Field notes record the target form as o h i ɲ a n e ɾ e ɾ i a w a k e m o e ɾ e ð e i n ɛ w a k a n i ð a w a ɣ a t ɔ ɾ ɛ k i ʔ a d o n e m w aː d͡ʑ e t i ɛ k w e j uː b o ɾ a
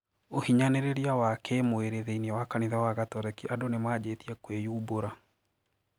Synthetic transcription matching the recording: o h i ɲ a n e ɾ e ɾ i a w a k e m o e ɾ e ð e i n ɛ w a k a n i ð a w a ɣ a t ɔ ɾ ɛ k i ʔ a d o n e m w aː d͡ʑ e t i ɛ k w e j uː b o ɾ a